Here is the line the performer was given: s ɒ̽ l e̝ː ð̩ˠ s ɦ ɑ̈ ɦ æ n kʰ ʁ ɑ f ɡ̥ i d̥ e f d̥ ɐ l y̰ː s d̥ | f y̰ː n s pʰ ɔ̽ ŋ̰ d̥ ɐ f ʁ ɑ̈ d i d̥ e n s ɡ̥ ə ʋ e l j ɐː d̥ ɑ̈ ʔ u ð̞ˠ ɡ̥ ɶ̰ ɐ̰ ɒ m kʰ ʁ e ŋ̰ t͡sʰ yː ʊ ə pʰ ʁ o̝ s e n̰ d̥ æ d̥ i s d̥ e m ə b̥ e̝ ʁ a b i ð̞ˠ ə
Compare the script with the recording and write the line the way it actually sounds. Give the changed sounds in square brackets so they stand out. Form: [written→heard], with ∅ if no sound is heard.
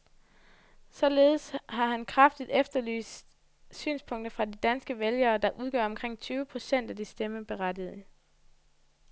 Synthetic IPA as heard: s ɒ̽ l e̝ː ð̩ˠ s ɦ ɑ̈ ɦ æ n kʰ ʁ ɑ f [ɡ̥→d̥] i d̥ e f d̥ ɐ l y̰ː s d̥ | [f→s] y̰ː n s pʰ ɔ̽ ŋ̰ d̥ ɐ f ʁ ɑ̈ d i d̥ [e→æ] n s ɡ̥ ə ʋ e l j ɐː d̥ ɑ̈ ʔ u ð̞ˠ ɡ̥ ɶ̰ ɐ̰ ɒ m kʰ ʁ e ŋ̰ t͡sʰ yː ʊ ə pʰ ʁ o̝ s e n̰ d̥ æ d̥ i s d̥ e m ə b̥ e̝ ʁ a [b→d] i ð̞ˠ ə